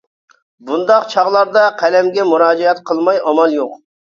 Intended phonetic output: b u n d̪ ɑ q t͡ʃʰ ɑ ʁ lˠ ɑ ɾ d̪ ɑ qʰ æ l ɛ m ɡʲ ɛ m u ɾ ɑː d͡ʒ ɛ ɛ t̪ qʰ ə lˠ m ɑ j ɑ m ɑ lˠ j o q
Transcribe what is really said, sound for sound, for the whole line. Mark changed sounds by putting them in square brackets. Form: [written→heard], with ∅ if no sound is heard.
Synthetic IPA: b u n d̪ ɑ q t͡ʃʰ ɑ ʁ lˠ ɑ ɾ d̪ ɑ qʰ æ l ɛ m ɡʲ ɛ m u ɾ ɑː d͡ʒ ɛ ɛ t̪ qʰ ə lˠ m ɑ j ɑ m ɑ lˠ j o q